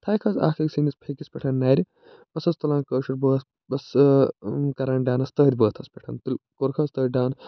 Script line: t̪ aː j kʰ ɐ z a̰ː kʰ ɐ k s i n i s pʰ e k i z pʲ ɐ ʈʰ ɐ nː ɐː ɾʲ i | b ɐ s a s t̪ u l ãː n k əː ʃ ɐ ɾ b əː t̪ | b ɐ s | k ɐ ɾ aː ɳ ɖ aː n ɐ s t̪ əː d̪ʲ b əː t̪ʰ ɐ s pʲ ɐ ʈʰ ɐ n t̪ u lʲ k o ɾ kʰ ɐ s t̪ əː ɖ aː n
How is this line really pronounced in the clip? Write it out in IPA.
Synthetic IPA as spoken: t̪ʰ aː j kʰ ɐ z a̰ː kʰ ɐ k s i n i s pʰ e k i s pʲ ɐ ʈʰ ɐ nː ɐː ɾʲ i | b ɐ s ɐ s t̪ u l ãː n k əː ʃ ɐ ɾ b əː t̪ | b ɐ s | k ɐ ɾ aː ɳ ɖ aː n ɐ s t̪ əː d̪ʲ b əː t̪ʰ ɐ s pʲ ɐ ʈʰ ɐ n t̪ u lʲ k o ɾ kʰ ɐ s t̪ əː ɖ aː n